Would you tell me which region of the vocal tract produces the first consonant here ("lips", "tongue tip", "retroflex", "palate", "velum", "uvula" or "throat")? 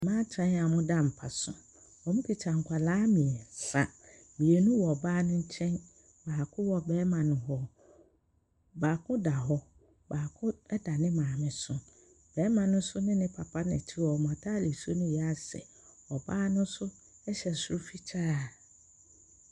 lips